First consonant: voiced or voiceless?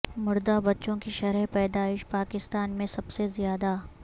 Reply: voiced